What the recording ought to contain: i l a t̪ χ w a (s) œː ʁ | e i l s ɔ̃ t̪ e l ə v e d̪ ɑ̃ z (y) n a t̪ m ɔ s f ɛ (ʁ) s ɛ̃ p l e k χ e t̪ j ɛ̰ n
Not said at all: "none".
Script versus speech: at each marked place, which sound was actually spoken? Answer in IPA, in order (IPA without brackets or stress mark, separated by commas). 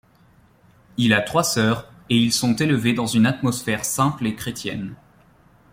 s, y, ʁ